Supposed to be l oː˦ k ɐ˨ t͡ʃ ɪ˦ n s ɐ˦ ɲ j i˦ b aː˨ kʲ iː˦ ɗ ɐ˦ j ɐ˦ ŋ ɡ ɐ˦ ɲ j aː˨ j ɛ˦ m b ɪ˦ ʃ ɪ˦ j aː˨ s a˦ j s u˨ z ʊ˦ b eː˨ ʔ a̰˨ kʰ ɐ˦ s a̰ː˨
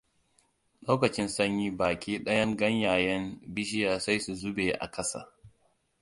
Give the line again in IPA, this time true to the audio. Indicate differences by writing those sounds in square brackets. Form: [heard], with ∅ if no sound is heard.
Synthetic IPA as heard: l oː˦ k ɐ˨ t͡ʃ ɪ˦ n s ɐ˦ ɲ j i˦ b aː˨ kʲ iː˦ ɗ ɐ˦ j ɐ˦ ŋ ɡ ɐ˦ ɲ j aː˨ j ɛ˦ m b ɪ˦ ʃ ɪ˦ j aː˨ s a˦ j s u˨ z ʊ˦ b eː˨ ʔ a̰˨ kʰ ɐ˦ s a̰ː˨

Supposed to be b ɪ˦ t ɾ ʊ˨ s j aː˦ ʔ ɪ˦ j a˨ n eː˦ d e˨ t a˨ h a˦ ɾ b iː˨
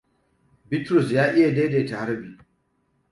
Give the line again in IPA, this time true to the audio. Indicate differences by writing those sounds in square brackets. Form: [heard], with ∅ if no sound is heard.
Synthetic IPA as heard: b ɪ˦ t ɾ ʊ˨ s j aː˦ ʔ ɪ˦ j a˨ [d] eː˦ d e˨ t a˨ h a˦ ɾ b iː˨

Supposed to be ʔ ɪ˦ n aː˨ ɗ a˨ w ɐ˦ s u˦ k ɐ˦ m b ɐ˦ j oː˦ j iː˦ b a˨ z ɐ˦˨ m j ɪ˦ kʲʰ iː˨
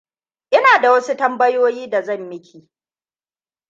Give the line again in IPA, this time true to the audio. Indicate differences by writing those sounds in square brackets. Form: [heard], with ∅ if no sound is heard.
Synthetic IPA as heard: ʔ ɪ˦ n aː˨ [d] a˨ w ɐ˦ s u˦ [t] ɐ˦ m b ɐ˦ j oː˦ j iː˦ [d] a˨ z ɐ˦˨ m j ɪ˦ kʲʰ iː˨

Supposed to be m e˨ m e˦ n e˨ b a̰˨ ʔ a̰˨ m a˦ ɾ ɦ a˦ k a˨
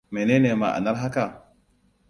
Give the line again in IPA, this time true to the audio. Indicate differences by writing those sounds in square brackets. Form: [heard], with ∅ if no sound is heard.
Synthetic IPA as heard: m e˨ [n] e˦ n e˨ [m] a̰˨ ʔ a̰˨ [n] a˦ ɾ ɦ a˦ k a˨

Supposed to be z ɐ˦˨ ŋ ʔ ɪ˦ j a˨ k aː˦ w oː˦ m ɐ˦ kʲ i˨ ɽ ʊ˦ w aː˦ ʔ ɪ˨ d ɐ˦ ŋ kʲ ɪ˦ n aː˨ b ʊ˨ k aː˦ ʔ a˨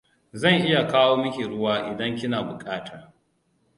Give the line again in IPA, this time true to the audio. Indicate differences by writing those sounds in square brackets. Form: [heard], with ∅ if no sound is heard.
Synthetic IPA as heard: z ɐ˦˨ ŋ ʔ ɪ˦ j a˨ k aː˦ w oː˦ m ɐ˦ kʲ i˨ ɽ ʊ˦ w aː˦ ʔ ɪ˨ d ɐ˦ ŋ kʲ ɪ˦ n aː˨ b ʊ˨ [kʼ] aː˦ [t] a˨

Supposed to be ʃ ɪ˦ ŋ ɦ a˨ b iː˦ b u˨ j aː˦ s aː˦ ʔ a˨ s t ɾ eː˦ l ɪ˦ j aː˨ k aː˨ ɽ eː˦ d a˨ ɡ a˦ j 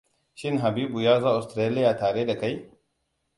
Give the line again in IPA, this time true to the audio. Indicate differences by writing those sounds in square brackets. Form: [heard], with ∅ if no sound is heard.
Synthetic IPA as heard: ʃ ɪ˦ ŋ ɦ a˨ b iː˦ b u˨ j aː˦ [z] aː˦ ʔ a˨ s t ɾ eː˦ l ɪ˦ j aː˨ [t] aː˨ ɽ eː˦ d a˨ [k] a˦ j

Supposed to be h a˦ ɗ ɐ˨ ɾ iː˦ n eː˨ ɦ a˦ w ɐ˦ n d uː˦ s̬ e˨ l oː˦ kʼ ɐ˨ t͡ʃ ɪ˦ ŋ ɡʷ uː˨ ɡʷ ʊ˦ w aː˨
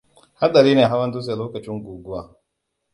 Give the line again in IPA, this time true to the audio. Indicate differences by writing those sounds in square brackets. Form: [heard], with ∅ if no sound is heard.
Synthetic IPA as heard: h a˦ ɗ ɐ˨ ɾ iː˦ n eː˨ ɦ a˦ w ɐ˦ n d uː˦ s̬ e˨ l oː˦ [k] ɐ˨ t͡ʃ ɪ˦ ŋ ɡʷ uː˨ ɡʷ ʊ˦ w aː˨

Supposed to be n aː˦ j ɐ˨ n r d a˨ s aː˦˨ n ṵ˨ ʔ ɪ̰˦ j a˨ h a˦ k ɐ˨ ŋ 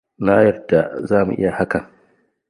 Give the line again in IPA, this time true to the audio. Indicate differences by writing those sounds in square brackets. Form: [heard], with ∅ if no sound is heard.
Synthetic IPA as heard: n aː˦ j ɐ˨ [∅] r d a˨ [z] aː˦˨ [m] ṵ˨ ʔ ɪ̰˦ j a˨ h a˦ k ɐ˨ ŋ

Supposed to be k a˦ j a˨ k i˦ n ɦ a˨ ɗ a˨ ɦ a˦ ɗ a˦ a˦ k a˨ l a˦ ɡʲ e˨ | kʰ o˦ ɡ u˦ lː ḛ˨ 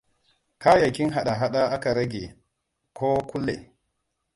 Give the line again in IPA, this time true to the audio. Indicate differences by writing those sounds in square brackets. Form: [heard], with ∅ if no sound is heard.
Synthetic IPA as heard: k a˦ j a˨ k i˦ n ɦ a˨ ɗ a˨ ɦ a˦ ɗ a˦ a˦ k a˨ [ɾ] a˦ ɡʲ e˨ | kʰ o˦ [k] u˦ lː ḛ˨

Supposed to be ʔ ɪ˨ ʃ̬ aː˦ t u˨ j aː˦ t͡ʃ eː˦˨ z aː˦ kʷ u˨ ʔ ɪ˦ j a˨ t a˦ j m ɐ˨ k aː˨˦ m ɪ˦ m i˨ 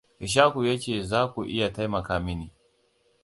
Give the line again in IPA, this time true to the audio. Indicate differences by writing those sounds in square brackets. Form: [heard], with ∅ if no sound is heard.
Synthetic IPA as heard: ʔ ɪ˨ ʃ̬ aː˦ [k] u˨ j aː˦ t͡ʃ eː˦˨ z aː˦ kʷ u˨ ʔ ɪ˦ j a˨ t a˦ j m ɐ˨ k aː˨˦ m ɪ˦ [n] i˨

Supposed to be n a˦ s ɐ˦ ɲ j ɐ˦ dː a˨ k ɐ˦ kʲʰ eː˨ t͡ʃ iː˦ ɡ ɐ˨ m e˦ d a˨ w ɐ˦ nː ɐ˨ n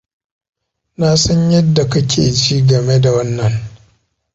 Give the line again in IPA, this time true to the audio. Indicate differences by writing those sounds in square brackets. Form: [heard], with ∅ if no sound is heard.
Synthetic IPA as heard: n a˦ s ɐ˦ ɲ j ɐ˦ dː a˨ k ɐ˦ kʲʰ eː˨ t͡ʃ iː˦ ɡ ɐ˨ m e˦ d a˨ w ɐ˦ nː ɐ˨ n

